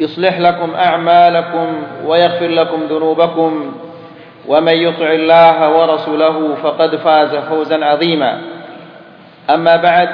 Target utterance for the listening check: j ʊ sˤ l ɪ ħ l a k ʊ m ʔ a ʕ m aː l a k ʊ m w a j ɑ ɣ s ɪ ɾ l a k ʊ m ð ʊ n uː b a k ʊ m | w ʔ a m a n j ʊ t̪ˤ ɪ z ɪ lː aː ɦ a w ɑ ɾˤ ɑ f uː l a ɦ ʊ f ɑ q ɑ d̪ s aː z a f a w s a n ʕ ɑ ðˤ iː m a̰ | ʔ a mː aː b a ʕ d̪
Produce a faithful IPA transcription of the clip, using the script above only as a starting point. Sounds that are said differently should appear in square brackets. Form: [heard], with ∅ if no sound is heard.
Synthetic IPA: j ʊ sˤ l ɪ ħ l a k ʊ m ʔ a ʕ m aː l a k ʊ m w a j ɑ ɣ [f] ɪ ɾ l a k ʊ m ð ʊ n uː b a k ʊ m | w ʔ a m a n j ʊ t̪ˤ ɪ [ʕ] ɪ lː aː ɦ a w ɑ ɾˤ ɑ [s] uː l a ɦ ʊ f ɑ q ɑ d̪ [f] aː z a f a w [z] a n ʕ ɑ ðˤ iː m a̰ | ʔ a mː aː b a ʕ d̪